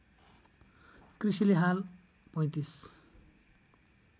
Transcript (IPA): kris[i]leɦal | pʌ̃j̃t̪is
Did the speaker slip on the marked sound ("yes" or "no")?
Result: no